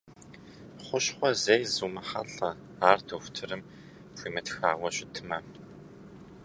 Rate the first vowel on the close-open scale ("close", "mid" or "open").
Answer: close